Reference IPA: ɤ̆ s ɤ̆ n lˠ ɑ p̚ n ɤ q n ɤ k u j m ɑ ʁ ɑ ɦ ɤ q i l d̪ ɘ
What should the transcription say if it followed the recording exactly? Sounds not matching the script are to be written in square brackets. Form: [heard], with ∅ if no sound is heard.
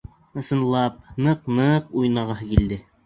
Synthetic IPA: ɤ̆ s ɤ̆ n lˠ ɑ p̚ n ɤ q n ɤ [q] u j [n] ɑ ʁ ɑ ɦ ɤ [k] i l d̪ ɘ